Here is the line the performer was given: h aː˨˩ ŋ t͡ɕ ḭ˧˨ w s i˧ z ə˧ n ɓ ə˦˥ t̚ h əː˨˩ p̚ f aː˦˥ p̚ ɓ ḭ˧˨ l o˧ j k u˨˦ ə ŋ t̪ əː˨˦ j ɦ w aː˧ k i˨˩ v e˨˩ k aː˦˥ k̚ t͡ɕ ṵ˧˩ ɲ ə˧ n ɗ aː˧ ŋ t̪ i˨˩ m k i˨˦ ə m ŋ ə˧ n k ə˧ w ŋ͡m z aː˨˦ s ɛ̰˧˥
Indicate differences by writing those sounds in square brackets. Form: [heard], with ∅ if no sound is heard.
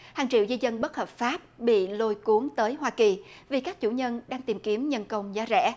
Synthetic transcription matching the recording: h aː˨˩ ŋ t͡ɕ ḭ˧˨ w [z] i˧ z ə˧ n ɓ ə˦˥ t̚ h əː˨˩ p̚ f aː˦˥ p̚ ɓ ḭ˧˨ l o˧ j k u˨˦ ə ŋ t̪ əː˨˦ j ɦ w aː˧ k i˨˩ v [i˨˩] k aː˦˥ k̚ t͡ɕ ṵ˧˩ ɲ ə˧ n ɗ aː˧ ŋ t̪ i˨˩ m k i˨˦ ə m [ɲ] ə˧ n k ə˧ w ŋ͡m z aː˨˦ [z] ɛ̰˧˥